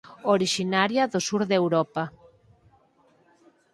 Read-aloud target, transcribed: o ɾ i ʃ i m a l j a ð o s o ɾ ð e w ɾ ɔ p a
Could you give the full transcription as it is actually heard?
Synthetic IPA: o ɾ i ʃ i n a ɾ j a ð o s u ɾ ð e w ɾ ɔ p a